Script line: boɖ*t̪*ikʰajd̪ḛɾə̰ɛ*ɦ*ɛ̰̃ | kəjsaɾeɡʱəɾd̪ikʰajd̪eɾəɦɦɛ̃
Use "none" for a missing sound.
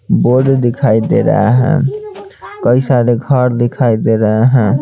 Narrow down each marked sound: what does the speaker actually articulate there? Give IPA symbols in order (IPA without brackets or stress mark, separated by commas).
d̪, ɦ